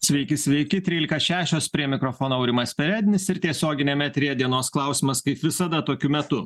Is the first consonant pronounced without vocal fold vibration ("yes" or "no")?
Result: yes